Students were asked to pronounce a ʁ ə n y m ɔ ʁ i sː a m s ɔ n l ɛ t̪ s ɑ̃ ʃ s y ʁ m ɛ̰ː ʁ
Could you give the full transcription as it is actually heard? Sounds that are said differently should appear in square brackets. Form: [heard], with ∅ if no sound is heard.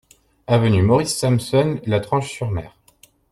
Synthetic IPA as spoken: a [v] ə n y m ɔ ʁ i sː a m s ɔ n l [a] t̪ [χ] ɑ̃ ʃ s y ʁ m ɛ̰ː ʁ